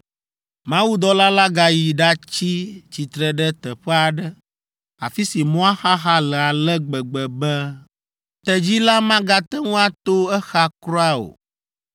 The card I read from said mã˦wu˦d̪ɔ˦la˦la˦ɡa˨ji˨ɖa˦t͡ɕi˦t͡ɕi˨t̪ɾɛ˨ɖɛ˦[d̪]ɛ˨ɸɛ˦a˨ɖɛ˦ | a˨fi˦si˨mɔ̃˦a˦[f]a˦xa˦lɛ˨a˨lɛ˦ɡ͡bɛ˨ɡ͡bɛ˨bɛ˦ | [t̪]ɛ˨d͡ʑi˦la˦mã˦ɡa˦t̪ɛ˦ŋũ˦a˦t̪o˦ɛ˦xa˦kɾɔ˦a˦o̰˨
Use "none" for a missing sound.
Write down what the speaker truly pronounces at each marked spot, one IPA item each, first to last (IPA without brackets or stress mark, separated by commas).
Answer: t̪, x, t̪